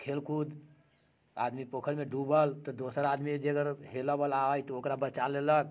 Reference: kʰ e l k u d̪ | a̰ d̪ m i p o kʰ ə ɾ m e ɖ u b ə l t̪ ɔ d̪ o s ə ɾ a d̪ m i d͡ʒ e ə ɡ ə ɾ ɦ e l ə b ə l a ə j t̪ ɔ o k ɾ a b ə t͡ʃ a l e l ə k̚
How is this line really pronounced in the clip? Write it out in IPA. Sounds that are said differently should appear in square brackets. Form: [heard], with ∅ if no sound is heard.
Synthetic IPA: kʰ e l k u d̪ | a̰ d̪ m i p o kʰ ə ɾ m e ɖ u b ə l t̪ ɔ d̪ o s ə ɾ a d̪ m i d͡ʒ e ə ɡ ə ɾ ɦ e l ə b ə l a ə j t̪ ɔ o k ɾ a b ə t͡ʃ a l e l ə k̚